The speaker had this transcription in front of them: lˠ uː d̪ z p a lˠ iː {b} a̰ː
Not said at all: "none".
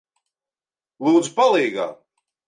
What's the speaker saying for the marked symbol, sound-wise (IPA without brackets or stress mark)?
ɡ